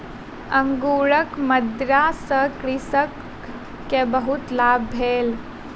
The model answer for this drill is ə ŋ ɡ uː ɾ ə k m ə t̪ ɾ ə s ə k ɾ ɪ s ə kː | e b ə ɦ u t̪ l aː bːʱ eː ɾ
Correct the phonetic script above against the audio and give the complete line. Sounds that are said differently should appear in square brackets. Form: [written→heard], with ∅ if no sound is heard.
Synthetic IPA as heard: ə ŋ ɡ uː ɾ ə k m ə [t̪→d̪] ɾ [ə→a] s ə k ɾ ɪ s ə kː | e b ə ɦ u t̪ l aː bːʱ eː [ɾ→l]